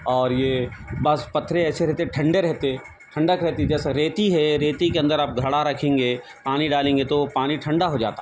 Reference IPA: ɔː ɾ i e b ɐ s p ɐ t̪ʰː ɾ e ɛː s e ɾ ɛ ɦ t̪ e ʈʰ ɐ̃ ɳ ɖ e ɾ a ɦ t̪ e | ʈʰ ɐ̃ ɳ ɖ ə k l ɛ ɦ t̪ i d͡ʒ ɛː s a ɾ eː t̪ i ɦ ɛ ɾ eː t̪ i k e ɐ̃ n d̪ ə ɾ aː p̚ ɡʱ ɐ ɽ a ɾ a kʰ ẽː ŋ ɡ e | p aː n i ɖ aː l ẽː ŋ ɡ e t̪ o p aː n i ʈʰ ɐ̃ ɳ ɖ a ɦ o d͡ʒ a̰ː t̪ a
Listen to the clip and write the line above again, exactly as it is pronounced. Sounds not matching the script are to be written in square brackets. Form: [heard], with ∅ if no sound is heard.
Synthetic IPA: ɔː ɾ [j] e b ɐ s p ɐ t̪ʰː ɾ e ɛː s e ɾ ɛ ɦ t̪ e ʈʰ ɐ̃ ɳ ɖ e ɾ [ɛ] ɦ t̪ e | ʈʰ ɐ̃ ɳ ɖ ə k [ɾ] ɛ ɦ t̪ i d͡ʒ ɛː s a ɾ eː t̪ i ɦ ɛ ɾ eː t̪ i k e ɐ̃ n d̪ ə ɾ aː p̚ ɡʱ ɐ ɽ a ɾ [ɐ] kʰ ẽː ŋ ɡ e | p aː n i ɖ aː l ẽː ŋ ɡ e t̪ o p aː n i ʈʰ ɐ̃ ɳ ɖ a ɦ o d͡ʒ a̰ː t̪ a

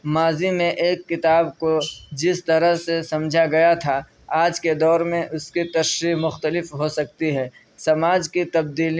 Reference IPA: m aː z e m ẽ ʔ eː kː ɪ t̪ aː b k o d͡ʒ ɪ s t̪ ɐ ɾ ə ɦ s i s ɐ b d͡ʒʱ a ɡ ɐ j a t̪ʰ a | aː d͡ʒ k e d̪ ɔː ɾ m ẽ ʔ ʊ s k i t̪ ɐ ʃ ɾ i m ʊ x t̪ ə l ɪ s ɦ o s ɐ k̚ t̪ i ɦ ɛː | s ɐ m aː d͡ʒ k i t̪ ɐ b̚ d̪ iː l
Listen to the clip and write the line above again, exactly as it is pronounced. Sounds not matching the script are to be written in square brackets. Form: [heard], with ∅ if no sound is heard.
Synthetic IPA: m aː z [i] m ẽ ʔ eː kː ɪ t̪ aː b k o d͡ʒ ɪ s t̪ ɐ ɾ ə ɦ s [e] s ɐ [m] d͡ʒʱ a ɡ ɐ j a t̪ʰ a | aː d͡ʒ k e d̪ ɔː ɾ m ẽ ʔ ʊ s k i t̪ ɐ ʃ ɾ i m ʊ x t̪ ə l ɪ [f] ɦ o s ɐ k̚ t̪ i ɦ ɛː | s ɐ m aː d͡ʒ k i t̪ ɐ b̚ d̪ iː l

